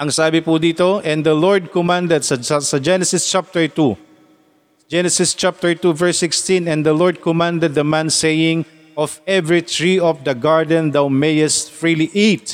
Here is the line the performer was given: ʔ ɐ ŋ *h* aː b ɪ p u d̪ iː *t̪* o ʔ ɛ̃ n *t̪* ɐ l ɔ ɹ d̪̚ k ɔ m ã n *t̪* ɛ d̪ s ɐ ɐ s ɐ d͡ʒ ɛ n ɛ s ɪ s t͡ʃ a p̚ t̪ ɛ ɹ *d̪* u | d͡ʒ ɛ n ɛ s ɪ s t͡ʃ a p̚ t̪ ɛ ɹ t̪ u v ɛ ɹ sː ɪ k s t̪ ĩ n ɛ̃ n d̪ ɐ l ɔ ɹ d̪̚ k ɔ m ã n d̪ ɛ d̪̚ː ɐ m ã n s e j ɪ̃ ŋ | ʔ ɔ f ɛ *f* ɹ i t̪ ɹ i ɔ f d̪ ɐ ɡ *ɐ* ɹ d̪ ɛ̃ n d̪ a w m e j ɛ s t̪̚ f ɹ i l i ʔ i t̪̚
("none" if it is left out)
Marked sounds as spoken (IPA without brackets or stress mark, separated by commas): s, t̪, d̪, d̪, t̪, v, a